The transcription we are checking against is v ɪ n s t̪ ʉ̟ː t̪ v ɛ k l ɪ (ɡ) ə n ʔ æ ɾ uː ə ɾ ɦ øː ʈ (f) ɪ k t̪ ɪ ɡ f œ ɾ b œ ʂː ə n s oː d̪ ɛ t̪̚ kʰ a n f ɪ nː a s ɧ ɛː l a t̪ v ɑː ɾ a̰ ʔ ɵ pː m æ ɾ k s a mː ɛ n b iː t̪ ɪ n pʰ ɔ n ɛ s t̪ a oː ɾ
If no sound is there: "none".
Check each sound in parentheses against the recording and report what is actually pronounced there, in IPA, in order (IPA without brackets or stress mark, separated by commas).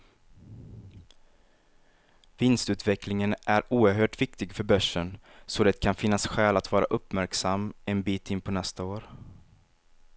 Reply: ŋ, v